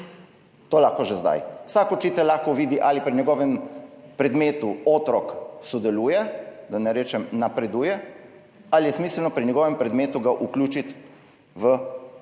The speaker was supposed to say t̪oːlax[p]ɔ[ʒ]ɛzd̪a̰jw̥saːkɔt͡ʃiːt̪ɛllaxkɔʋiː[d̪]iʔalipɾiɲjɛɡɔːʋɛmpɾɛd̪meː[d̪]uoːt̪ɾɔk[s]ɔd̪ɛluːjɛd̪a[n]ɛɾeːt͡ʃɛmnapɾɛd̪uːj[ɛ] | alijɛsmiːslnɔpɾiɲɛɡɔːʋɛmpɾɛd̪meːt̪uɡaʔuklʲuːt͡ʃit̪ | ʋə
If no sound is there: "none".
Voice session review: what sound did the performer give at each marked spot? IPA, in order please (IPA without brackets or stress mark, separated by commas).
k, ʒ, d̪, t̪, s, n, ɛ